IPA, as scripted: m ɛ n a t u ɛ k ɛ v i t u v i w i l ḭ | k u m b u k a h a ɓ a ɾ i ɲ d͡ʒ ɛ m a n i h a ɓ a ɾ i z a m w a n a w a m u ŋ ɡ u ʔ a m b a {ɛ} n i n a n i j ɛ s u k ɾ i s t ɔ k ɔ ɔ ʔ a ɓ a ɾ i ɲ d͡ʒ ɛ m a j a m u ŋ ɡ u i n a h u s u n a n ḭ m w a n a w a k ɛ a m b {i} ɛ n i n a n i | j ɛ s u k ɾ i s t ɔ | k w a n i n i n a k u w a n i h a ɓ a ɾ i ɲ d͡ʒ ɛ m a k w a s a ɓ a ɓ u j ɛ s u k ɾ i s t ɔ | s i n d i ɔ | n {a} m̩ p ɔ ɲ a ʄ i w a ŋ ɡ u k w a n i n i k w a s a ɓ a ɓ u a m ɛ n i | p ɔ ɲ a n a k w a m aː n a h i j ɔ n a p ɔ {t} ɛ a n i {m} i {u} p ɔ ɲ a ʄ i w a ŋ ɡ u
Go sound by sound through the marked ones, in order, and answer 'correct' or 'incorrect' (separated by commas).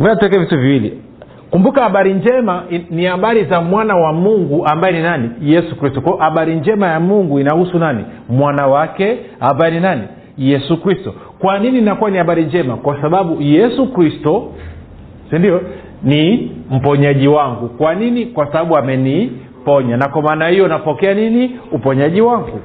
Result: correct, incorrect, incorrect, incorrect, incorrect, correct